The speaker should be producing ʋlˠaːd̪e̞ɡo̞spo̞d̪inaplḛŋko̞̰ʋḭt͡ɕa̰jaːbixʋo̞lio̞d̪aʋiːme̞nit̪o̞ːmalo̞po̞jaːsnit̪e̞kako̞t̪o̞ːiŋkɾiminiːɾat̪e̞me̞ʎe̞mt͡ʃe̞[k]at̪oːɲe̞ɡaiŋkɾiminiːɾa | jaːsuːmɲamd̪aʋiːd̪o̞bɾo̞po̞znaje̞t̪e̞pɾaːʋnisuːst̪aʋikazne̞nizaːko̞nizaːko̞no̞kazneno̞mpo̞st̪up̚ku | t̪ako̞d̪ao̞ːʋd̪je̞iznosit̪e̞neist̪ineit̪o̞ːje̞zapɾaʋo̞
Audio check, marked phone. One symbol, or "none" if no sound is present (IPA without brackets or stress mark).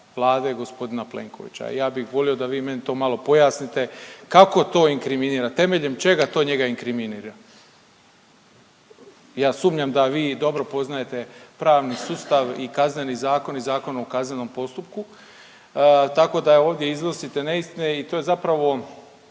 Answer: ɡ